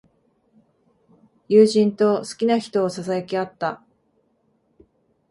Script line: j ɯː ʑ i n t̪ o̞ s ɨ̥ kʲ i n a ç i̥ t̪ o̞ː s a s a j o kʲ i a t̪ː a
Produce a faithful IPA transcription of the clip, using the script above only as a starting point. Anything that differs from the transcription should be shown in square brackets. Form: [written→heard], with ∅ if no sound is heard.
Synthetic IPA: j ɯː ʑ [i→ĩ] n t̪ o̞ s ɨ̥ kʲ i n a ç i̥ t̪ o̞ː s a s a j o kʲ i a t̪ː a